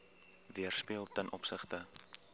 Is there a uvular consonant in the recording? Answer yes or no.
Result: yes